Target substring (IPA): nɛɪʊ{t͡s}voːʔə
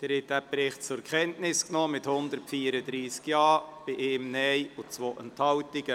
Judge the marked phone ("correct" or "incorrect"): correct